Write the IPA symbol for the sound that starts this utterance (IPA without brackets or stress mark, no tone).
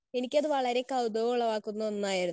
e̞